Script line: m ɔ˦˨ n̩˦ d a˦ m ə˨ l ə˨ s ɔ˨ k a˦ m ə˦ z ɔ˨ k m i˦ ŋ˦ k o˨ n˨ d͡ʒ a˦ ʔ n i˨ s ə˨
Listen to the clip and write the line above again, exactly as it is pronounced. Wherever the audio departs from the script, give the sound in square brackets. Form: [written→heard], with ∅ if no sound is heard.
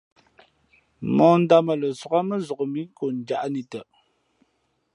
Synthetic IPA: m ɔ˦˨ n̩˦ d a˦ m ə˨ l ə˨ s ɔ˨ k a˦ m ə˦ z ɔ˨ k m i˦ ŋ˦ k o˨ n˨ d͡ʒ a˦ ʔ n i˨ [s→t] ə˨